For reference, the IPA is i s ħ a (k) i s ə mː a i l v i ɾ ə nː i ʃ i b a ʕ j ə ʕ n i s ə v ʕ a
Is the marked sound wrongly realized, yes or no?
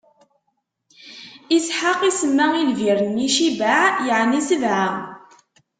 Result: yes